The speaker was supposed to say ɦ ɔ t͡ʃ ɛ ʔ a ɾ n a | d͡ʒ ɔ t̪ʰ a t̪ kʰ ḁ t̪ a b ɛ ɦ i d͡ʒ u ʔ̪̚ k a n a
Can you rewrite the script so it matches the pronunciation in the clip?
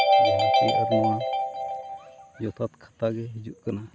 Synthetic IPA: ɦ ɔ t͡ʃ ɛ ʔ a ɾ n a | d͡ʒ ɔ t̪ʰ a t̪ kʰ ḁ t̪ a ɡ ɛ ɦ i d͡ʒ u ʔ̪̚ k a n a